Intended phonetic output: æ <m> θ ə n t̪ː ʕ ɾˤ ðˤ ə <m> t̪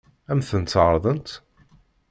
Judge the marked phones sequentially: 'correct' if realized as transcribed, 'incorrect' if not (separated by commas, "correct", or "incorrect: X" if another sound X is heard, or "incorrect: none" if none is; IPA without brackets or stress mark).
correct, incorrect: n